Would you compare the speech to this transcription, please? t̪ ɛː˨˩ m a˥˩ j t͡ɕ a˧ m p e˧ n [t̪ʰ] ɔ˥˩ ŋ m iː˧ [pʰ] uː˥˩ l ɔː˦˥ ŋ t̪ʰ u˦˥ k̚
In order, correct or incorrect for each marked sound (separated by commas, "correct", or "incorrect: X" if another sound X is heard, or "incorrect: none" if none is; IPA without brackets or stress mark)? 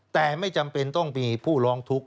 incorrect: t̪, correct